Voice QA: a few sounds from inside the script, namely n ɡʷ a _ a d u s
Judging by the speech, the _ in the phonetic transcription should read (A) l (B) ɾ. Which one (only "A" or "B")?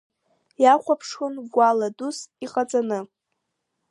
A